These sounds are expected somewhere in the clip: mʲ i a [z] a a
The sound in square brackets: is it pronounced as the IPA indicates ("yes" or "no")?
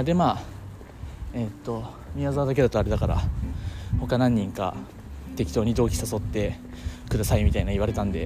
yes